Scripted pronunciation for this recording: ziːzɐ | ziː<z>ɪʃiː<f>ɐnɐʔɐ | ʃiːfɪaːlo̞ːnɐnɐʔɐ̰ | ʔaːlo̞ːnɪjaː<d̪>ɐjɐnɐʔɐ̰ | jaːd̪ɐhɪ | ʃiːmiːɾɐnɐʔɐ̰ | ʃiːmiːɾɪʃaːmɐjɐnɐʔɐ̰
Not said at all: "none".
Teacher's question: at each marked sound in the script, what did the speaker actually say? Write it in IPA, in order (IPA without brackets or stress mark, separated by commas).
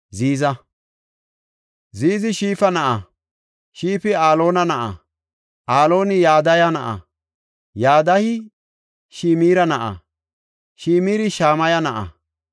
z, f, d̪